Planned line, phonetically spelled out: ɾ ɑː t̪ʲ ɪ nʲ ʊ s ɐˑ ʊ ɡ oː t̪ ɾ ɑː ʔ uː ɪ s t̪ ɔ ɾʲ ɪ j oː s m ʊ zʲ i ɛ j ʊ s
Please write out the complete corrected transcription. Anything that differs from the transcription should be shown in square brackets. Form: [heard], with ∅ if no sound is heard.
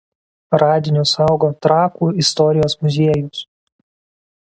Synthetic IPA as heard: ɾ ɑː [d̪ʲ] ɪ nʲ ʊ s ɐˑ ʊ ɡ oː t̪ ɾ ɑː [k] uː ɪ s t̪ ɔ ɾʲ ɪ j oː s m ʊ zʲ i ɛ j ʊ s